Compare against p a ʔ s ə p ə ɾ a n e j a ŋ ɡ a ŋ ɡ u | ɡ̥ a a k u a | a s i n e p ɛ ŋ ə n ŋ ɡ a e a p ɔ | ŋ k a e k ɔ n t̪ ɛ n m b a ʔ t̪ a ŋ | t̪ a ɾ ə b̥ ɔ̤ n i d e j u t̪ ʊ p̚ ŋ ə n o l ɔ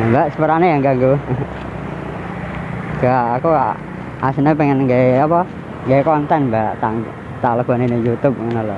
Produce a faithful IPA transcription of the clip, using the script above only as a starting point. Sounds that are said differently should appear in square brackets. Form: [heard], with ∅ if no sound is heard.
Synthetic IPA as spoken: [b] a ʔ s ə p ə ɾ a n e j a ŋ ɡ a ŋ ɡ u | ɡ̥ a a k u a | a s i n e p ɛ ŋ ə n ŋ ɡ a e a p ɔ | ŋ [ɡ] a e k ɔ n t̪ ɛ n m b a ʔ t̪ a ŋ | t̪ a [l] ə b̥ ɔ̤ n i [n] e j u t̪ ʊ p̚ ŋ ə n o l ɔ

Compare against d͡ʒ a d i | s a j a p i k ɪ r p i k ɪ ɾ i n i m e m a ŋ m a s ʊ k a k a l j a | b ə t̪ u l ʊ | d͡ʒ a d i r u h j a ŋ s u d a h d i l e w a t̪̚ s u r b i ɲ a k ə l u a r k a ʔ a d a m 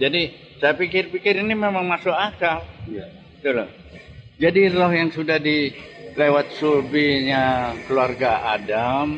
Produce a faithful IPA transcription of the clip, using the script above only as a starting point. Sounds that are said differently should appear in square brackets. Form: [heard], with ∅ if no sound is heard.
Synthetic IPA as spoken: d͡ʒ a d i | s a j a p i k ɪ r p i k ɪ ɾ i n i m e m a ŋ m a s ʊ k a k a l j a | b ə t̪ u l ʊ | d͡ʒ a d i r [ɔ] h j a ŋ s u d a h d i l e w a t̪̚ s u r b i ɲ a k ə l u a r [ɡ] a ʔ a d a m

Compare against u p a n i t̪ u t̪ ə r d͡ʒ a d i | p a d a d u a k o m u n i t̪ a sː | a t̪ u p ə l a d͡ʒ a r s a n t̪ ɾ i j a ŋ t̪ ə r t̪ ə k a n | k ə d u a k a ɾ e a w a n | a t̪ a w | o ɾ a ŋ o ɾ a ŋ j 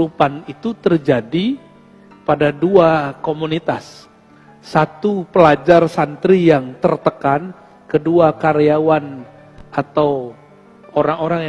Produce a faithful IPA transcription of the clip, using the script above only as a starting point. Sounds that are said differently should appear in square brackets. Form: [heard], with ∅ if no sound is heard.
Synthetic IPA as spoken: u p a n i t̪ u t̪ ə r d͡ʒ a d i | p a d a d u a k o m u n i t̪ a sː | a t̪ u p ə l a d͡ʒ a r s a n t̪ ɾ i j a ŋ t̪ ə r t̪ ə k a n | k ə d u a k a ɾ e a w a n | a t̪ a w | o ɾ a ŋ o ɾ a ŋ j

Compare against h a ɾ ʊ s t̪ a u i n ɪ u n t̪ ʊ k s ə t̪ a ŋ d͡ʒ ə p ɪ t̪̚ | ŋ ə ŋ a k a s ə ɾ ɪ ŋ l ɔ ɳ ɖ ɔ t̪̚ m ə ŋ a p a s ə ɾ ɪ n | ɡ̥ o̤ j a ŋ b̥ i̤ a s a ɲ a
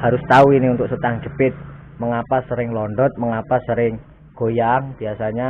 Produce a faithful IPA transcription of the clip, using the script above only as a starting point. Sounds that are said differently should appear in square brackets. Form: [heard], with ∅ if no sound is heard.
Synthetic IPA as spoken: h a ɾ ʊ s t̪ a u i n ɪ u n t̪ ʊ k s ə t̪ a ŋ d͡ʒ ə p ɪ t̪̚ | [m] ə ŋ a [p] a s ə ɾ ɪ ŋ l ɔ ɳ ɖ ɔ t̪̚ m ə ŋ a p a s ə ɾ ɪ [ŋ] | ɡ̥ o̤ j a ŋ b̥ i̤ a s a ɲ a

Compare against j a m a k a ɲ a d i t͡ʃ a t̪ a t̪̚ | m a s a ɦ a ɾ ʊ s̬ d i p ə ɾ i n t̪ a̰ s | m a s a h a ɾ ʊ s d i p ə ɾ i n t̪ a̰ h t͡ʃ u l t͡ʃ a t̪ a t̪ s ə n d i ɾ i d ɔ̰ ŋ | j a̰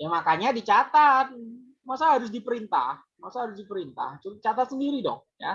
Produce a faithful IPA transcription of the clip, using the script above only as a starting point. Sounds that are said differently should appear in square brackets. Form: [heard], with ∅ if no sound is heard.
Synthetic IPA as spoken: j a m a k a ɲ a d i t͡ʃ a t̪ a t̪̚ | m a s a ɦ a ɾ ʊ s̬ d i p ə ɾ i n t̪ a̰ [h] | m a s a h a ɾ ʊ s d i p ə ɾ i n t̪ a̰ h t͡ʃ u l t͡ʃ a t̪ a t̪ s ə n d i ɾ i d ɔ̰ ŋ | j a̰

